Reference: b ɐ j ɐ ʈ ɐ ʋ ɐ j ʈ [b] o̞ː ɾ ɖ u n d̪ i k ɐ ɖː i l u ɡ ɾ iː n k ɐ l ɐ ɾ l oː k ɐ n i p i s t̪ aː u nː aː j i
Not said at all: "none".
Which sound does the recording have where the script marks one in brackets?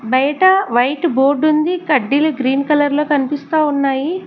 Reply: b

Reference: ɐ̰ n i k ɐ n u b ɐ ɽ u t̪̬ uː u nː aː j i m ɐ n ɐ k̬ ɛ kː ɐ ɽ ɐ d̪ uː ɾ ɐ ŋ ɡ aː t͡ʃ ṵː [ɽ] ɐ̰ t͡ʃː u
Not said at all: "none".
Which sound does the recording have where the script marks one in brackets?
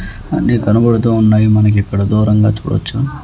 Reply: ɽ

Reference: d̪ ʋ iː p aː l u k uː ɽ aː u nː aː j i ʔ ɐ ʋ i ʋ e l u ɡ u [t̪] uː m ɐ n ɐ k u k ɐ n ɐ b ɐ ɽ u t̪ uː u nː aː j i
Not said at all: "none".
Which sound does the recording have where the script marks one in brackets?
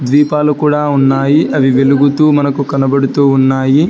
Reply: t̪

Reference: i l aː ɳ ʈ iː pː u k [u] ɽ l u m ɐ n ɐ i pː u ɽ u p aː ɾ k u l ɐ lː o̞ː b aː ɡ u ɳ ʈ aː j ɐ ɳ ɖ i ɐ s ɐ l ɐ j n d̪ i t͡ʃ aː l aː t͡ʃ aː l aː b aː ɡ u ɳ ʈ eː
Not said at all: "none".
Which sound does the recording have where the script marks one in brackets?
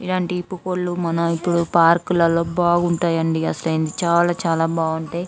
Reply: o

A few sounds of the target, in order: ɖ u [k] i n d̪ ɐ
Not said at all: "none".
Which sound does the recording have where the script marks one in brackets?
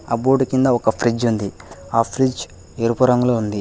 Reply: k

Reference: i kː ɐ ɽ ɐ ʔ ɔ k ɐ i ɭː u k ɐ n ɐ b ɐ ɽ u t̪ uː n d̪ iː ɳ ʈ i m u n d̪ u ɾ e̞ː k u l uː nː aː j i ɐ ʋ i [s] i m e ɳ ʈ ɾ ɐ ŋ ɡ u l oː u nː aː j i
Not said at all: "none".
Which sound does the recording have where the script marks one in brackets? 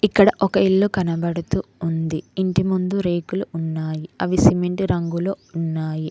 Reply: s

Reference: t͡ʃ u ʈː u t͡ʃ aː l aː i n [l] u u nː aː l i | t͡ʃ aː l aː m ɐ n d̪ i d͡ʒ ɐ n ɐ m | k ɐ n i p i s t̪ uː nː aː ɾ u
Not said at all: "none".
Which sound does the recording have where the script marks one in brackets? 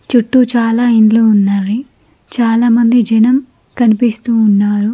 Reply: l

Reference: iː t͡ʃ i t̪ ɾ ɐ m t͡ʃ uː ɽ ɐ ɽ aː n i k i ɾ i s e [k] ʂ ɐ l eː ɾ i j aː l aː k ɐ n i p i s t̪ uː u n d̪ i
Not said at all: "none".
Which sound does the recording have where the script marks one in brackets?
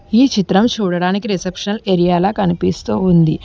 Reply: p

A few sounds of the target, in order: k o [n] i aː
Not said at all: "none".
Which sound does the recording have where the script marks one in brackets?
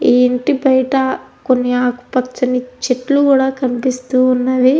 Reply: nː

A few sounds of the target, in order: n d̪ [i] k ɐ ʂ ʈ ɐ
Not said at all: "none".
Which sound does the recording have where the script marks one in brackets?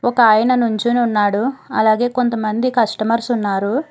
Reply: i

